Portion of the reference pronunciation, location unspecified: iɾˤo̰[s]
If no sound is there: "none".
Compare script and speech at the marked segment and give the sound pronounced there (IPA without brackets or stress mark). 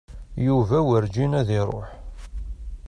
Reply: ħ